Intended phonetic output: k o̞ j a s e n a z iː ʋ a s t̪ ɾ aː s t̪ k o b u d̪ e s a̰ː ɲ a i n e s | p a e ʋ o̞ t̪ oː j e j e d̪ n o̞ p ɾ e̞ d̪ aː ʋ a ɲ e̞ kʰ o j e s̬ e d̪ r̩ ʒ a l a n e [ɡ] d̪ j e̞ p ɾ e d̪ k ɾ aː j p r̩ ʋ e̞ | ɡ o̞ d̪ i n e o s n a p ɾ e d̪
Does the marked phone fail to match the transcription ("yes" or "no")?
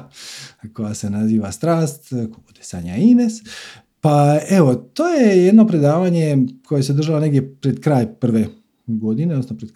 no